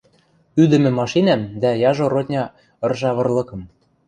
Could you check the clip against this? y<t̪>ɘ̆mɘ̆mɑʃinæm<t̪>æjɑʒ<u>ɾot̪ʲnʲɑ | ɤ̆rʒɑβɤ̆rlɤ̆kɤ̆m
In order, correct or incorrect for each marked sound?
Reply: incorrect: d̪, incorrect: d̪, incorrect: o

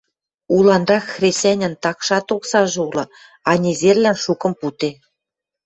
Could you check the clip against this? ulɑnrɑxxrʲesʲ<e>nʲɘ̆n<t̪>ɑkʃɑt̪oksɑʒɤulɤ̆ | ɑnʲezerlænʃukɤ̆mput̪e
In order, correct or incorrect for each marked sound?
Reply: incorrect: æ, correct

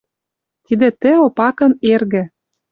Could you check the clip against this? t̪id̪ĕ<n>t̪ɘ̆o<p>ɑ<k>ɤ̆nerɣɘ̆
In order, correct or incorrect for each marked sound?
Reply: incorrect: none, correct, correct

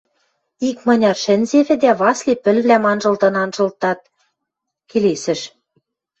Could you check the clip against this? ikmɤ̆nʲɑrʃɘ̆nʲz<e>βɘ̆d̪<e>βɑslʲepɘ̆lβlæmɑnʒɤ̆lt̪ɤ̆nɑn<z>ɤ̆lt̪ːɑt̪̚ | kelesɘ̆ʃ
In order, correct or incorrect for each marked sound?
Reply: correct, incorrect: æ, incorrect: ʒ

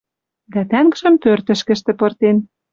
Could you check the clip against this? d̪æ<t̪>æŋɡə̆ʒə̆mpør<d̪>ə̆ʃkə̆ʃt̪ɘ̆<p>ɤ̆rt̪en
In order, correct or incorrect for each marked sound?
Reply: correct, incorrect: t̪, correct

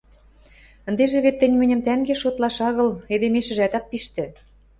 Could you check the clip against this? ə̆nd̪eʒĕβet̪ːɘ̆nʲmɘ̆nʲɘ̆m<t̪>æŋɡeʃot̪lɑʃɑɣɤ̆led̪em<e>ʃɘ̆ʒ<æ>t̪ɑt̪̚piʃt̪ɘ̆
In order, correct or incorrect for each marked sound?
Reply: correct, correct, correct

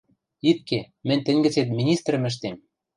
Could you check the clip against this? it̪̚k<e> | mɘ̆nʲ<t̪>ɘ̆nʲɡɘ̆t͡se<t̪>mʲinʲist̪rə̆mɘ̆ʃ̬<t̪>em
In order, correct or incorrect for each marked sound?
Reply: correct, correct, correct, correct

